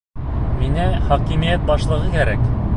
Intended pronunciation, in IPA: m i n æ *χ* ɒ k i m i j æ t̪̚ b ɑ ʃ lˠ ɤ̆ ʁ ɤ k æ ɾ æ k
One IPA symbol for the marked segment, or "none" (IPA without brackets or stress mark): χ